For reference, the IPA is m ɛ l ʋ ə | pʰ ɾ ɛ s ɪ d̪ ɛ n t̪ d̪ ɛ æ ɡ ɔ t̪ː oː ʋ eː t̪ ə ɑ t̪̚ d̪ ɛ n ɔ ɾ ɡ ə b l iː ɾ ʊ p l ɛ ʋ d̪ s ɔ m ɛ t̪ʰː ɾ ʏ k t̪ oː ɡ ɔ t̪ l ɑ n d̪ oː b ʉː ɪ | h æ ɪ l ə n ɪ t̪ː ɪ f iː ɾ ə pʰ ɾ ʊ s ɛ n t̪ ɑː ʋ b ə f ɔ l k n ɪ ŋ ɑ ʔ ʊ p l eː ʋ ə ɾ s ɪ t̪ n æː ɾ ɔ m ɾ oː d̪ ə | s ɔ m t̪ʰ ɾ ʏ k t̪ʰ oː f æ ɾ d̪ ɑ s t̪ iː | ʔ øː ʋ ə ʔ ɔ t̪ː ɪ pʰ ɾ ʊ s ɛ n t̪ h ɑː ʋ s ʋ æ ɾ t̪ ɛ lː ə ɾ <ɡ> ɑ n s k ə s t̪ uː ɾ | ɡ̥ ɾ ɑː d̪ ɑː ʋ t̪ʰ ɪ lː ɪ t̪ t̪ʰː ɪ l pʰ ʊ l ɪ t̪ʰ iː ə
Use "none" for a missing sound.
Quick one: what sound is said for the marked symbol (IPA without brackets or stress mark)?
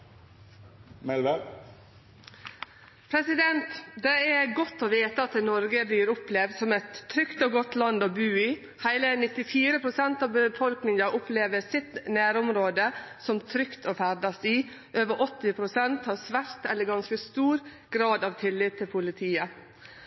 ɡ